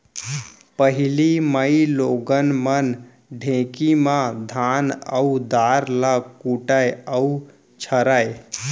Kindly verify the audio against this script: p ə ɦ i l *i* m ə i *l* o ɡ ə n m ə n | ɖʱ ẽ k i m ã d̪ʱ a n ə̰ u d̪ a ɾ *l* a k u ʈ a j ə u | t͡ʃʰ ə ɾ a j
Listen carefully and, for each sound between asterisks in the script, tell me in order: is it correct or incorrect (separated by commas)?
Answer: correct, correct, correct